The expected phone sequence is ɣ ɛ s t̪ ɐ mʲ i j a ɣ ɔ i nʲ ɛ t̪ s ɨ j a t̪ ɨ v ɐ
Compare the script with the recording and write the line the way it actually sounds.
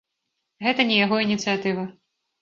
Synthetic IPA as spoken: ɣ ɛ t̪ ɐ nʲ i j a ɣ ɔ i nʲ i t̪ s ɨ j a t̪ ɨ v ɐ